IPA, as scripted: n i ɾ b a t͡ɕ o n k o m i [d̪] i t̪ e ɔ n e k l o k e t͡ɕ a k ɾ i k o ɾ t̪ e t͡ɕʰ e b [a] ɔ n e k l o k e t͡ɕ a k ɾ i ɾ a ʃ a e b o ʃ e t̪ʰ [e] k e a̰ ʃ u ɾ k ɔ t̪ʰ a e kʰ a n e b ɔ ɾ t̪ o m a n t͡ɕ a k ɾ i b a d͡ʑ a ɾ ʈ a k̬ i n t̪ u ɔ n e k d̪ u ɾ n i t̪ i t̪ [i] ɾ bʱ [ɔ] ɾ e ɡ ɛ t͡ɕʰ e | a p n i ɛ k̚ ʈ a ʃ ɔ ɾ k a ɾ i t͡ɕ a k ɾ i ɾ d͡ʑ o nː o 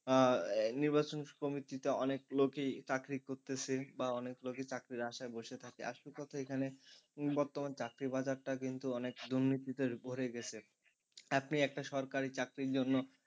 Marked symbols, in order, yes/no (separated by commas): no, yes, no, no, no